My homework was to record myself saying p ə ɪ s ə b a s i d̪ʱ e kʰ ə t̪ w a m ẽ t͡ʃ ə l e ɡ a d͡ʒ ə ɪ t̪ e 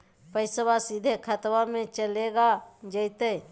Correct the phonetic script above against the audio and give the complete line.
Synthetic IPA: p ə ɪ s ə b a s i d̪ʱ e kʰ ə t̪ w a m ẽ t͡ʃ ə l e ɡ a d͡ʒ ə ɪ t̪ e